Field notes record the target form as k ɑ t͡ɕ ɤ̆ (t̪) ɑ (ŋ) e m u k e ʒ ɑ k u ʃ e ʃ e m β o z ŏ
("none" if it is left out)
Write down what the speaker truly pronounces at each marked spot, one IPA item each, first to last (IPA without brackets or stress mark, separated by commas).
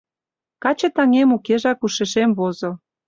t̪, ŋ